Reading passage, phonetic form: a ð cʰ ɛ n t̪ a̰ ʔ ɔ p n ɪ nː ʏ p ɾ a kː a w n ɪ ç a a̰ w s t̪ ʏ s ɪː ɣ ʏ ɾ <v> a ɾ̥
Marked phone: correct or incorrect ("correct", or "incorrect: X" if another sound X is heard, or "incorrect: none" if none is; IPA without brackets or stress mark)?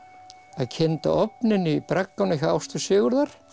incorrect: ð